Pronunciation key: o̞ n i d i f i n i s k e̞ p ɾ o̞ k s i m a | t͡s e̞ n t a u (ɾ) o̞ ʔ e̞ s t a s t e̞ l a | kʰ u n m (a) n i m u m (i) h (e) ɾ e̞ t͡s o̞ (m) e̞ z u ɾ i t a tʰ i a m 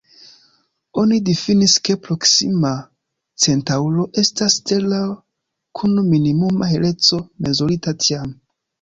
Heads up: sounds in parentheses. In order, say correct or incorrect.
incorrect: l, incorrect: i, incorrect: a, correct, correct

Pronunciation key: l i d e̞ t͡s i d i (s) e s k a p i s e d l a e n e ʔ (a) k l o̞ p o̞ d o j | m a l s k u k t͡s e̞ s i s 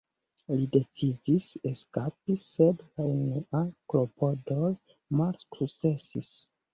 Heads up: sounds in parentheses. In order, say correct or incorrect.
correct, correct

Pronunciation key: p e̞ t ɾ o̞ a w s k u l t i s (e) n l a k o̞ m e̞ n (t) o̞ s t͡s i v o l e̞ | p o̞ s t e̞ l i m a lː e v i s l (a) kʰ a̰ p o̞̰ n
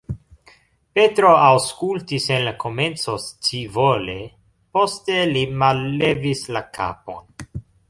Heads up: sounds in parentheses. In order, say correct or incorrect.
correct, incorrect: t͡s, correct

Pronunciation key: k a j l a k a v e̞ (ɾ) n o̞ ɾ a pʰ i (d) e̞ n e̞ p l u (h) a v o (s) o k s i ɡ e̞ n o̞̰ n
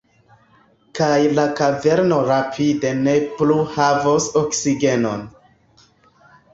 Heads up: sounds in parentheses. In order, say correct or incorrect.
correct, correct, correct, correct

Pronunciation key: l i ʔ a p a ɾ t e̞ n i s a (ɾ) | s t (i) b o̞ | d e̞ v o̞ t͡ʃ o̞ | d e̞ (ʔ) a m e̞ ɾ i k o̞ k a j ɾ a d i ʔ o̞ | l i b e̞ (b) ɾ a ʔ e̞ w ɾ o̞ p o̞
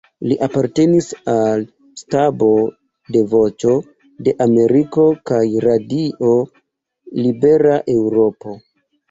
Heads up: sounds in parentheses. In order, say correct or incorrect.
incorrect: l, incorrect: a, correct, incorrect: none

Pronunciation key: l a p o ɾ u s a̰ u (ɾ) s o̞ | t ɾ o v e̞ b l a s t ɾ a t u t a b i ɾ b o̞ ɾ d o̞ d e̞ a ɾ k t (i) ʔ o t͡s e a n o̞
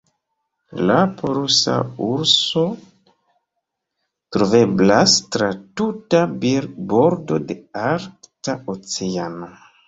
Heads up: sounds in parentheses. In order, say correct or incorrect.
correct, incorrect: a

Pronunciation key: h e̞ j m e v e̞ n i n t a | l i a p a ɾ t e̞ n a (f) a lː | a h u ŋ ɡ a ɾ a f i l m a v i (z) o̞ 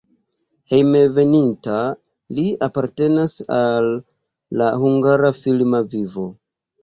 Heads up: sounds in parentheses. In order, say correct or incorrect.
incorrect: s, incorrect: v

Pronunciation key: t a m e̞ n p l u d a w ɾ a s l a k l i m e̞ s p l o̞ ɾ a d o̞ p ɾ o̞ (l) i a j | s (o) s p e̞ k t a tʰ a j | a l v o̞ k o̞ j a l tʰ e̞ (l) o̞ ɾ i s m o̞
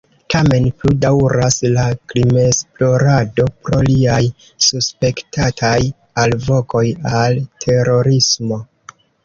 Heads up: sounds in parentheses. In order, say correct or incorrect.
correct, incorrect: u, incorrect: ɾ

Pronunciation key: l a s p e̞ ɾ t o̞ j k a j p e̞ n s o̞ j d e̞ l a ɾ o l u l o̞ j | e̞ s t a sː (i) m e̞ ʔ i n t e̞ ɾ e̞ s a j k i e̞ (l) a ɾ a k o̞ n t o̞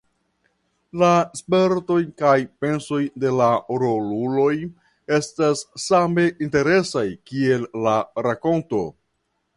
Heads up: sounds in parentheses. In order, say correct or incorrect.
incorrect: a, incorrect: lː

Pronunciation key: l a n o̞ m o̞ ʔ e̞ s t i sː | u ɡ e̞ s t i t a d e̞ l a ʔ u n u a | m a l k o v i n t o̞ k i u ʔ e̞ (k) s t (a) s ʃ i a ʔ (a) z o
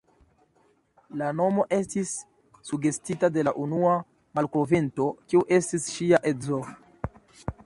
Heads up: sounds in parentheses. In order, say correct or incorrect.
incorrect: none, incorrect: i, incorrect: e

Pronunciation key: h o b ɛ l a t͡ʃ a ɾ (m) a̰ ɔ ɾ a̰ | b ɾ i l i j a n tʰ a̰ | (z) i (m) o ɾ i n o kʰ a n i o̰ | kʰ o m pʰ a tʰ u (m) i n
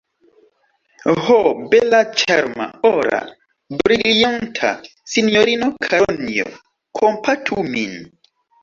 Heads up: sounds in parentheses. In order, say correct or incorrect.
correct, incorrect: s, incorrect: n, correct

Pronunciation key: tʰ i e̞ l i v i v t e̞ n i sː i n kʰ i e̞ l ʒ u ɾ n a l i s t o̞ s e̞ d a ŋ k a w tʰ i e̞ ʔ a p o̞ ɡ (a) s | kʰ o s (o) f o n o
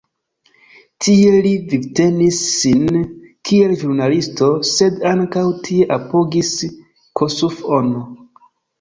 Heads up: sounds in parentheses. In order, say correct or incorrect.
incorrect: i, incorrect: u

